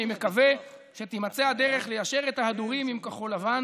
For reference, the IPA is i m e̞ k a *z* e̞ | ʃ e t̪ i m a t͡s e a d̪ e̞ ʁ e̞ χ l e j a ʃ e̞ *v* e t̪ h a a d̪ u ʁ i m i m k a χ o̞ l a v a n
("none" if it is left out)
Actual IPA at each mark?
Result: v, ʁ

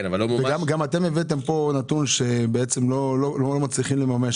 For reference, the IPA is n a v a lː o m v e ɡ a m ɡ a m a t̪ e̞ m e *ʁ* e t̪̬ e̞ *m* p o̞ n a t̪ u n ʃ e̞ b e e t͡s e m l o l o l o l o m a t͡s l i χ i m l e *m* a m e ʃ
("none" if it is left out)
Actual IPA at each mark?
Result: v, m, m

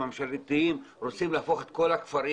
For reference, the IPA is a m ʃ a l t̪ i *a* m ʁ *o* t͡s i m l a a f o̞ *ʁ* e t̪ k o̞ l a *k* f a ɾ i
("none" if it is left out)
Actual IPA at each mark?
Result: i, o, χ, k

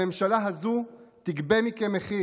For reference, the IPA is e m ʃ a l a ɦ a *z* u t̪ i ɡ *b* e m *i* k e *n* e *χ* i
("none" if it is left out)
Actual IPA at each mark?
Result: z, b, i, m, χ

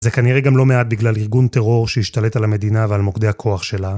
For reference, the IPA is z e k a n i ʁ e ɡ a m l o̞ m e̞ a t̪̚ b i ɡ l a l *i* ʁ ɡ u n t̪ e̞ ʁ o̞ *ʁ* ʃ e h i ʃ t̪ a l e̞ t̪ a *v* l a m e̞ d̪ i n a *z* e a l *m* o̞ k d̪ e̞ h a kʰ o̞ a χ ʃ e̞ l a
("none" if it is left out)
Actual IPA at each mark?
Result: i, ʁ, none, v, m

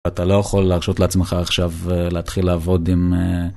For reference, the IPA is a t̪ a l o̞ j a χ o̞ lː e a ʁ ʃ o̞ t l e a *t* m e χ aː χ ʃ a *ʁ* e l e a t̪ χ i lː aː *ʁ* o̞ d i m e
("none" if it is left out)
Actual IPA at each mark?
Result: t͡s, v, v

